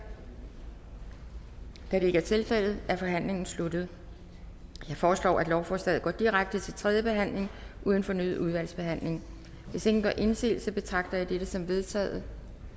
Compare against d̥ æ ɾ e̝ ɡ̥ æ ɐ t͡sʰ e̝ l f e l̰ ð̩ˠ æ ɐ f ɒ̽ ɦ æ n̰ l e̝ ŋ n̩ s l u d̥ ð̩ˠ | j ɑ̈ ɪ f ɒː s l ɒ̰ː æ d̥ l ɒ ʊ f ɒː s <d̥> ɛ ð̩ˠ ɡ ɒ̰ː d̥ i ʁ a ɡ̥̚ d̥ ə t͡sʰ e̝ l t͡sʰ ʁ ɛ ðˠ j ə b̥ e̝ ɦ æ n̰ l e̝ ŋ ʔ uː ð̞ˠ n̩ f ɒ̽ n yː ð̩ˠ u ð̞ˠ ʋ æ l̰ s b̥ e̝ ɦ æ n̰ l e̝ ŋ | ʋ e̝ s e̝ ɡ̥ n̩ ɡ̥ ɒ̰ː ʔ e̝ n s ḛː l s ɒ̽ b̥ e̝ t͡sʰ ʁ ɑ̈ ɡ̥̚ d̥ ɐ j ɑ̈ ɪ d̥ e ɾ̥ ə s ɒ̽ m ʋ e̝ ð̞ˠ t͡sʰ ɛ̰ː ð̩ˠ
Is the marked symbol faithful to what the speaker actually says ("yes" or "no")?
yes